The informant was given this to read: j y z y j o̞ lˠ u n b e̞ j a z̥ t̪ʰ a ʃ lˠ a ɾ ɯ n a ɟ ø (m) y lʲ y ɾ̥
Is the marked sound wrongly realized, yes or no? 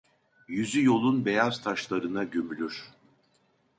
no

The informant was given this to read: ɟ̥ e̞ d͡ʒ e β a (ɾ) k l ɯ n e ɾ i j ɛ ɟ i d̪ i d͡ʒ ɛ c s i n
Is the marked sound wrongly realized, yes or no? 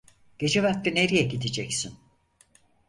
yes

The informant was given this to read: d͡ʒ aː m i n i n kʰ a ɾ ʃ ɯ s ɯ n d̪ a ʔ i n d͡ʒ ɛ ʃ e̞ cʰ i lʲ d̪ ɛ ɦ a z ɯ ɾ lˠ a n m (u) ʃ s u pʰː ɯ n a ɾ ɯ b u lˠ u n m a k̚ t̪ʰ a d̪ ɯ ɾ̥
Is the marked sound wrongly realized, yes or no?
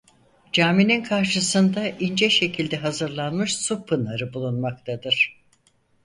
yes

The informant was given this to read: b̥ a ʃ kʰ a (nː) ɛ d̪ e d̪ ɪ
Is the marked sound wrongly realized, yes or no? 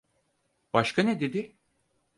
yes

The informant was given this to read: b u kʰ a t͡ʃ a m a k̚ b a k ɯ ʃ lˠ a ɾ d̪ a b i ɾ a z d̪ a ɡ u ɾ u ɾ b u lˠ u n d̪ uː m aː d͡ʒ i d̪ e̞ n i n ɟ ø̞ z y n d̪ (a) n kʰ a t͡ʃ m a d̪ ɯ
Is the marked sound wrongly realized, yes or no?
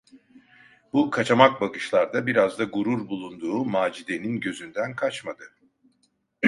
yes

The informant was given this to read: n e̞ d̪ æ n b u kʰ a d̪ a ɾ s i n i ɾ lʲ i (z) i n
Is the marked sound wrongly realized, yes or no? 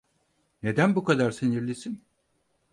yes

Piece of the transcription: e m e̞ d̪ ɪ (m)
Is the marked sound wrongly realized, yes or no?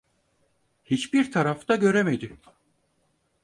yes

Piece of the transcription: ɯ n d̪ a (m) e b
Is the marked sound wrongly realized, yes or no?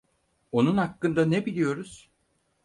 yes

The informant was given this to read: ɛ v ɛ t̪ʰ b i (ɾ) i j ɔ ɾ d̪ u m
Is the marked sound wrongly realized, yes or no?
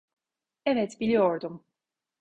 yes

